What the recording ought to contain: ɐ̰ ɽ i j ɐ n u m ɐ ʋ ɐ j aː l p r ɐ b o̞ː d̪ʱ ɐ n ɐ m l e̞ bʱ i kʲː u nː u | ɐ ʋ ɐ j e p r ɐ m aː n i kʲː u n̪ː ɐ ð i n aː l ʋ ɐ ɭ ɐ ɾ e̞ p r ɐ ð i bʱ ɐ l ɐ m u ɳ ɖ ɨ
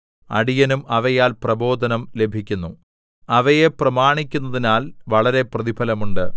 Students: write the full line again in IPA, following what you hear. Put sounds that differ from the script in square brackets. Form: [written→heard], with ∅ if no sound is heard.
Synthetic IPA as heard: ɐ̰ ɽ i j ɐ n u m ɐ ʋ ɐ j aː l p r ɐ b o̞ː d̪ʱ ɐ n ɐ m l e̞ bʱ i kʲː u nː u | ɐ ʋ ɐ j e p r ɐ m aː [n→ɳ] i kʲː u n̪ː ɐ ð i n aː l ʋ ɐ ɭ ɐ ɾ e̞ p r ɐ ð i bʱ ɐ l ɐ m u ɳ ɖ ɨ